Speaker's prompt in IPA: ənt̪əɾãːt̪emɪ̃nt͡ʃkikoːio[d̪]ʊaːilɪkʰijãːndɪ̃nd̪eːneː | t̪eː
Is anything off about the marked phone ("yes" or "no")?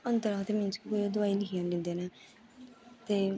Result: no